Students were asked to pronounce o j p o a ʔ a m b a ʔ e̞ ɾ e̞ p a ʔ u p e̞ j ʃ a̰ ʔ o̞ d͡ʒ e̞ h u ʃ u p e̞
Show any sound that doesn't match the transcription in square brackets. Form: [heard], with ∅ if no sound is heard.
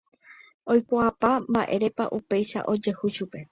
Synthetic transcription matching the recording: o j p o a [p] a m b a ʔ e̞ ɾ e̞ p a ʔ u p e̞ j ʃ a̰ ʔ o̞ d͡ʒ e̞ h u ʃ u p e̞